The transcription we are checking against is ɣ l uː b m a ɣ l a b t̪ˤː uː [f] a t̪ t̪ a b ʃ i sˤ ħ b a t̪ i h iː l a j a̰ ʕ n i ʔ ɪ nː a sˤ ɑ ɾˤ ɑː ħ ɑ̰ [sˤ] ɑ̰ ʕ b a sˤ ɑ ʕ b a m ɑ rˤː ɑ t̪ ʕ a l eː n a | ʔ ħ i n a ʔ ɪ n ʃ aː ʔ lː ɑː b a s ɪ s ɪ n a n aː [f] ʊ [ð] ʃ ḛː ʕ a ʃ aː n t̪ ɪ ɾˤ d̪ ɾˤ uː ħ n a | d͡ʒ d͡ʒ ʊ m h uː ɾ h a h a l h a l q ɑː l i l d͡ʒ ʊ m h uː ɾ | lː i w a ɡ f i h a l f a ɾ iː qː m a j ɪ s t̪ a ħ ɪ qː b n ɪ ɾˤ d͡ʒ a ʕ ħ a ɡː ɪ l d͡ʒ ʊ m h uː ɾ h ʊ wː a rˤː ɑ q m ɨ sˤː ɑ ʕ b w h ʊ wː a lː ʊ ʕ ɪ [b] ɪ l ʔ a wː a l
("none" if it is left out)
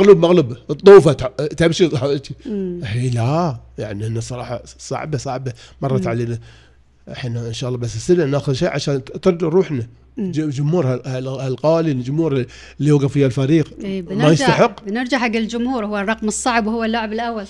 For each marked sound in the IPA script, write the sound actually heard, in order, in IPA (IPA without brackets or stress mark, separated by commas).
f, sˤ, x, ð, b